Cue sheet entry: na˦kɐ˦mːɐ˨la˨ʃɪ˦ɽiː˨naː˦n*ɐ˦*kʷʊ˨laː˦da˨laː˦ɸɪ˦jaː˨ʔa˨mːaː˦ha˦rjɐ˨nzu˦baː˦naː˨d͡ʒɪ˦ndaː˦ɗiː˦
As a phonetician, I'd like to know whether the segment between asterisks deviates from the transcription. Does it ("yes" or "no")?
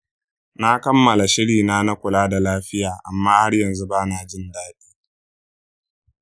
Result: yes